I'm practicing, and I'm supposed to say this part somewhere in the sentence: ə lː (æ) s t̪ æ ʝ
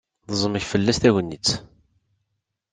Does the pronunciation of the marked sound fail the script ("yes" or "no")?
no